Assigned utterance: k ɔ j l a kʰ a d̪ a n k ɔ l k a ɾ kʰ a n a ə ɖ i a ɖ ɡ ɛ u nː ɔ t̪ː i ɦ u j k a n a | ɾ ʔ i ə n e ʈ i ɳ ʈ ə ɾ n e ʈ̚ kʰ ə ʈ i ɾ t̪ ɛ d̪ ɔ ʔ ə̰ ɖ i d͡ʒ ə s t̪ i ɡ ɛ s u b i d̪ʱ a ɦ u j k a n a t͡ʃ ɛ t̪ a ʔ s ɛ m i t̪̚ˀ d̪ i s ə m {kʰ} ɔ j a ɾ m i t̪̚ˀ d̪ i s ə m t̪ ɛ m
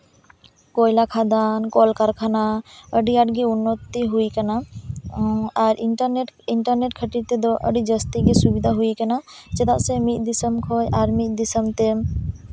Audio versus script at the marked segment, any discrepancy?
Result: no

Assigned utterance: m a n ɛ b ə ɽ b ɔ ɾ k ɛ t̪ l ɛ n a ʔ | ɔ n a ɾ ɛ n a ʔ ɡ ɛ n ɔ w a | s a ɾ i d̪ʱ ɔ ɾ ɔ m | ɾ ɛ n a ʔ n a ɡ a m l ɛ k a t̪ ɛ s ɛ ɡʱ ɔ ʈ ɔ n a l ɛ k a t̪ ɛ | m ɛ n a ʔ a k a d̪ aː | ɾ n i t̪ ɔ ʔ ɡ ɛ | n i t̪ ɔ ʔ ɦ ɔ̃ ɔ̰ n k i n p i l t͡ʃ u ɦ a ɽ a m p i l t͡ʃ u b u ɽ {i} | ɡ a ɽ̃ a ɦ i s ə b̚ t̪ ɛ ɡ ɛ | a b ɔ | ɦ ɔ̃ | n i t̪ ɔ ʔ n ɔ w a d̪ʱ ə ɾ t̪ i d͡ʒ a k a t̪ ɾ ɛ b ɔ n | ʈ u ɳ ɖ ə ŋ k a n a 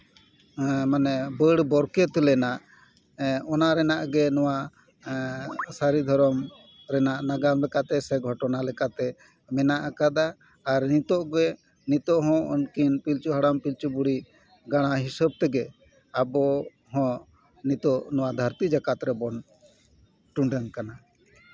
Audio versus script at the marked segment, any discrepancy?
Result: no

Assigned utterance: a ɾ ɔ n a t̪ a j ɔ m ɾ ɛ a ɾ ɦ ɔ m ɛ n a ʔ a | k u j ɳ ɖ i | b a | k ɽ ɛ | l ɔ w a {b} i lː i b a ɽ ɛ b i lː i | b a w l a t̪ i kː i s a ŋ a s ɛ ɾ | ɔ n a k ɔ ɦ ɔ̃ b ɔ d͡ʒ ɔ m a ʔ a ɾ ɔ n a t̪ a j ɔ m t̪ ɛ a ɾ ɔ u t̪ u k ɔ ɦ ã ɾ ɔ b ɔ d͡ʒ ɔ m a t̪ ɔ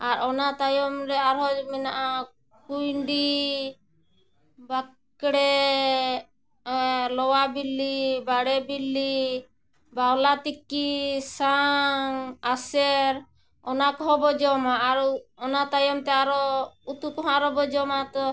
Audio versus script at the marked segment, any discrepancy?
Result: no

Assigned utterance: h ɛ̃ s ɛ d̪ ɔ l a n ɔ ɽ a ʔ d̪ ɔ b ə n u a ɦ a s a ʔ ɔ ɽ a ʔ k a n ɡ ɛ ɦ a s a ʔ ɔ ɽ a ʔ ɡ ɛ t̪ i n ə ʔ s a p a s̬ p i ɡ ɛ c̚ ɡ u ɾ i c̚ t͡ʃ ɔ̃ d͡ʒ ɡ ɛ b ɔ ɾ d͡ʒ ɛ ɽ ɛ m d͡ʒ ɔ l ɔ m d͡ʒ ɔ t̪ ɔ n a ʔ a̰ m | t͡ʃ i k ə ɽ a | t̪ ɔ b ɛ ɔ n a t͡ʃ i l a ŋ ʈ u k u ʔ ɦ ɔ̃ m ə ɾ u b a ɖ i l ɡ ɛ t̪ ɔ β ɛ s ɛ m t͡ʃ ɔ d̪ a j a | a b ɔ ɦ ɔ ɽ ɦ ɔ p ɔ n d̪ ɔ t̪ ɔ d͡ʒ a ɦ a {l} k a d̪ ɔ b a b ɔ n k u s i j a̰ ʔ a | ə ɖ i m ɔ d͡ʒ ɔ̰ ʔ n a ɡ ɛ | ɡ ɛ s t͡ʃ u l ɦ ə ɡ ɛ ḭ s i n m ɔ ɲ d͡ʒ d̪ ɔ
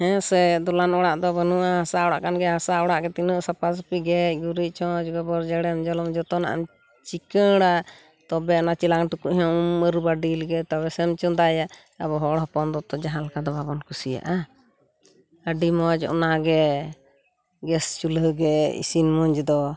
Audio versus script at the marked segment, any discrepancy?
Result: no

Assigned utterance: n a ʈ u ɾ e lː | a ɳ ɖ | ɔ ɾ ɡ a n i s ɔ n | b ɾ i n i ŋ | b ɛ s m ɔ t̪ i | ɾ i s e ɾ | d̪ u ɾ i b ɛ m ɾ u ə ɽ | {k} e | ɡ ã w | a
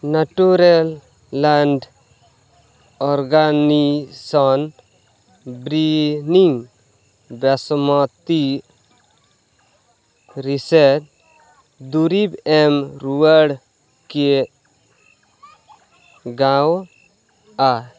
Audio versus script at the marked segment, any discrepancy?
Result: no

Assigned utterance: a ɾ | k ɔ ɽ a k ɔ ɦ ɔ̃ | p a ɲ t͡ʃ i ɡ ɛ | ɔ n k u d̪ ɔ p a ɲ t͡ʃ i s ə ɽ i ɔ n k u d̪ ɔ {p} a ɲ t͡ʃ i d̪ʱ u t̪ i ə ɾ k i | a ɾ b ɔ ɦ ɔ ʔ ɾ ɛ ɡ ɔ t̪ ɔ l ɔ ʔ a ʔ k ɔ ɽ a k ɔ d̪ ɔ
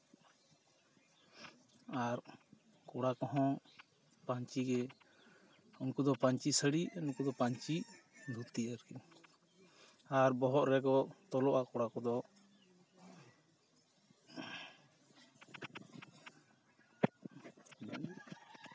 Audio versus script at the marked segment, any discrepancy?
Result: no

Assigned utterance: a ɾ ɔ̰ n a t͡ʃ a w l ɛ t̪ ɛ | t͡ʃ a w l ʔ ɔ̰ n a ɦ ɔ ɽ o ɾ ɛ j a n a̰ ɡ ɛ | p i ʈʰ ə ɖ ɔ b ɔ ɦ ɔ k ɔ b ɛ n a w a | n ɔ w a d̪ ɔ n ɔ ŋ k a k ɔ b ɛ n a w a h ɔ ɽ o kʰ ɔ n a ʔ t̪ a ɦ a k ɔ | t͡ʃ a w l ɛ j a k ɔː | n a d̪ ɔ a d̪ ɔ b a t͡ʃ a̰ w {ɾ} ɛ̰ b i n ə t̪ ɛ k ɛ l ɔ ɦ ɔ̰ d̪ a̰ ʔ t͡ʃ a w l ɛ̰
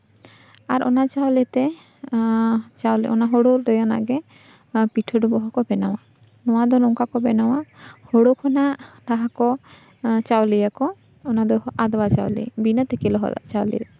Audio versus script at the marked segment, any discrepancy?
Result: yes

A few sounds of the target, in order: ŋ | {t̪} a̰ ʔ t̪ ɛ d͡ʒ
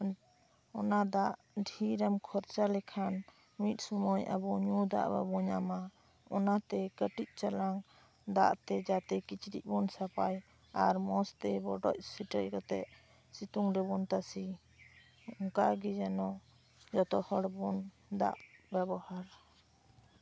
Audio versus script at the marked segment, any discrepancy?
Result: yes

